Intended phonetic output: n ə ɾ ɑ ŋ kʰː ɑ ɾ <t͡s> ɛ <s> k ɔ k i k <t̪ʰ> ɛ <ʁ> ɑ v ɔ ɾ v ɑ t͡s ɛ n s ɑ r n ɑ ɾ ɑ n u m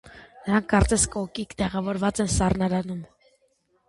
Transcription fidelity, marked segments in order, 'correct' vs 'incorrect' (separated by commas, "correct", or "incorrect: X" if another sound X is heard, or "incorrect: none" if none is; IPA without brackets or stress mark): correct, correct, incorrect: t̪, correct